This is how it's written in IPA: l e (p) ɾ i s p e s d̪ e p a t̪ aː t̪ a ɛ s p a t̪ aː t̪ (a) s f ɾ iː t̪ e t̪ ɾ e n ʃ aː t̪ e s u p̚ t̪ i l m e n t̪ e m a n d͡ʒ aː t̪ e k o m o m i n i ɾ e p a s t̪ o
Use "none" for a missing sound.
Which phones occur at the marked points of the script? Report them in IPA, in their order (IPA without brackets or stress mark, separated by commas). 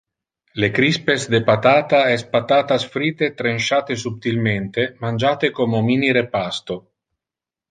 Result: k, a